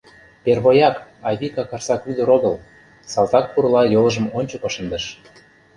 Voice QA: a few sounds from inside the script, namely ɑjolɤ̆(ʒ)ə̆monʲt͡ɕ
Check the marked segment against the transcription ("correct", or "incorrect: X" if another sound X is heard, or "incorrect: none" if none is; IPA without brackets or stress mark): correct